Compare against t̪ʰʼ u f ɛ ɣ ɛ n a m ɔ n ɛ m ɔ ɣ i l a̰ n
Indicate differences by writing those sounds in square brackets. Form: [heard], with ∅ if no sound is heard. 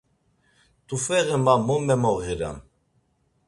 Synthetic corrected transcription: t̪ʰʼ u f ɛ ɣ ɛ [m] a m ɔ [m] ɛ m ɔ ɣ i [ɾ] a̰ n

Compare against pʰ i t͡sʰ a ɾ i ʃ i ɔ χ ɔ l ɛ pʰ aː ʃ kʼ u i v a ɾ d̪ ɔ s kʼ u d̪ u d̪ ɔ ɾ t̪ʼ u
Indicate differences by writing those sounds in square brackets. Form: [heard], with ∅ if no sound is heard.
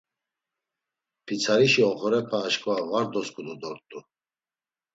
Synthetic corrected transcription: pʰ i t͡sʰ a ɾ i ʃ i ɔ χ ɔ [ɾ] ɛ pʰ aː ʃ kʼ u [a] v a ɾ d̪ ɔ s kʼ u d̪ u d̪ ɔ ɾ t̪ʼ u

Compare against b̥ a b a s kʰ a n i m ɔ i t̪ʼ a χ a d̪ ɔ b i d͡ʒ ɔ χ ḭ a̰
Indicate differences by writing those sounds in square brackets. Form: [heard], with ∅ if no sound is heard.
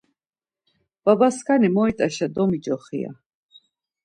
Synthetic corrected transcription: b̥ a b a s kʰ a n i m ɔ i t̪ʼ a [ʃ] a d̪ ɔ [m] i d͡ʒ ɔ χ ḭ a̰

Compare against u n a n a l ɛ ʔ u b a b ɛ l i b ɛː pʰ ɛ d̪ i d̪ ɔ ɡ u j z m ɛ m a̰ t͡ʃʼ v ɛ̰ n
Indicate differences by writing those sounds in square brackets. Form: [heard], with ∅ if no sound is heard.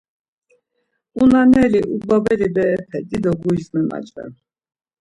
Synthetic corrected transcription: u n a n [ɛ] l [i] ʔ u b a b ɛ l i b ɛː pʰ ɛ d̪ i d̪ ɔ ɡ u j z m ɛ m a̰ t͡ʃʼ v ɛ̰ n

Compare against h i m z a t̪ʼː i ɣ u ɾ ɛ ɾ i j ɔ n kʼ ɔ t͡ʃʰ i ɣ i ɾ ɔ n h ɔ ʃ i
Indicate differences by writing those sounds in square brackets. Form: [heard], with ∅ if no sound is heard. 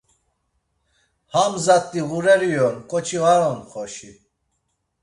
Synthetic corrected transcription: h [a] m z a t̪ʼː i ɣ u ɾ ɛ ɾ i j ɔ n kʼ ɔ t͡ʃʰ i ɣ [a] ɾ ɔ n [χ] ɔ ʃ i

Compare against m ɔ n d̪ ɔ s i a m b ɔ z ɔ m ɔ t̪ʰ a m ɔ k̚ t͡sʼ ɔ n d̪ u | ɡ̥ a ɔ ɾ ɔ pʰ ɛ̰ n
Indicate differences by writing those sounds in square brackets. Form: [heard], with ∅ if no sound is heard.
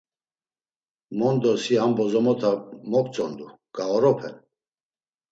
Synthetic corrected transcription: m ɔ n d̪ ɔ s i a m b ɔ z ɔ m ɔ t̪ʰ a m ɔ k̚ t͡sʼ ɔ n d̪ u | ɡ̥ a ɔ ɾ ɔ pʰ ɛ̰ n

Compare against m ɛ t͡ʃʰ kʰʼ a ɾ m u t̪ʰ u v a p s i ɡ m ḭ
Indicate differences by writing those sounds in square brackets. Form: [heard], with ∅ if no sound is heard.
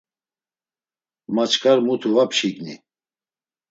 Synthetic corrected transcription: m [a] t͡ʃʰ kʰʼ a ɾ m u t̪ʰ u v a p [ʃ] i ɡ [n] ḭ

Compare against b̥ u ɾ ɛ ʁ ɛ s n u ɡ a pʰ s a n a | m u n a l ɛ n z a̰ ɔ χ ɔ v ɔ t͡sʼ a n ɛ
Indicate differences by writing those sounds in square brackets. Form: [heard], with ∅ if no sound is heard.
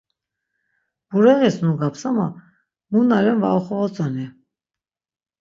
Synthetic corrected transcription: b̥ u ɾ ɛ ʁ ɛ s n u ɡ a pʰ s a [m] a | m u n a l ɛ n [v] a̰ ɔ χ ɔ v ɔ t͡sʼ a n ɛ

